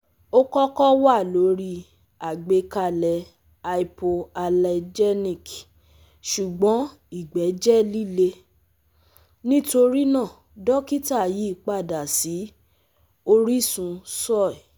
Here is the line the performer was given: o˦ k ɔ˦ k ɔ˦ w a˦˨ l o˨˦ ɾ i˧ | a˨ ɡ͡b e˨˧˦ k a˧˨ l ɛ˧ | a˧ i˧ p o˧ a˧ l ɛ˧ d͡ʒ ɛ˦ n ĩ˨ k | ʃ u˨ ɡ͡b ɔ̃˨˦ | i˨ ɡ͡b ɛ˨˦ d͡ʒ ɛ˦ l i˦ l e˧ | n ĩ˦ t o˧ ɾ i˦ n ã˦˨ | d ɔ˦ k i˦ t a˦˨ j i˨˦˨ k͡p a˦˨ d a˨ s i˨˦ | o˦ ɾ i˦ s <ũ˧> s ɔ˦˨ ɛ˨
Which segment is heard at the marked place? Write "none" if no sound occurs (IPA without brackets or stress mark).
ũ˧